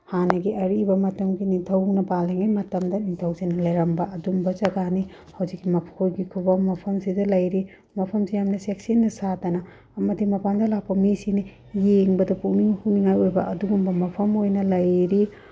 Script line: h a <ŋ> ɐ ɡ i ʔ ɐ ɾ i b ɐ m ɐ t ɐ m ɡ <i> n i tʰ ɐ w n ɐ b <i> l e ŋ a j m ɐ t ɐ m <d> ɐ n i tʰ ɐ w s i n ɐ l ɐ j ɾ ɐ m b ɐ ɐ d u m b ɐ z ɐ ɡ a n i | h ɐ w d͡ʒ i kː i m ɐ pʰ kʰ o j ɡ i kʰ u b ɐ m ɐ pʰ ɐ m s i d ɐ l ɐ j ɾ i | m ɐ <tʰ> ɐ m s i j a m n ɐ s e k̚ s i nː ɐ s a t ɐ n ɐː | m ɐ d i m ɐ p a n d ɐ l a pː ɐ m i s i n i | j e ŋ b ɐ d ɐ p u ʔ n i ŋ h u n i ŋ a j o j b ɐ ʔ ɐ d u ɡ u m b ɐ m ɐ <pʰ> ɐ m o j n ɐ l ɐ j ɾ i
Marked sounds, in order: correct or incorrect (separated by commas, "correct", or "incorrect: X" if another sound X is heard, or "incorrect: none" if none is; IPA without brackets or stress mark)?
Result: incorrect: n, correct, incorrect: a, correct, incorrect: pʰ, correct